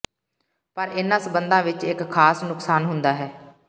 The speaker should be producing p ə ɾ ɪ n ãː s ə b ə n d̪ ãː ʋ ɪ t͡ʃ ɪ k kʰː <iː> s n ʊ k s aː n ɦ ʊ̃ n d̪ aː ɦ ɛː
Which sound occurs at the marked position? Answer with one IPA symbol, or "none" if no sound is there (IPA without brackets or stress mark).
aː